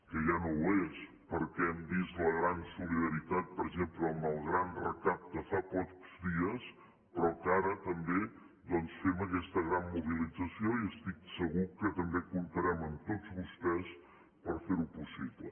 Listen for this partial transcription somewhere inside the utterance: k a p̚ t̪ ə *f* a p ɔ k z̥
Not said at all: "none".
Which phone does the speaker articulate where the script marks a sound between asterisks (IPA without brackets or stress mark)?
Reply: f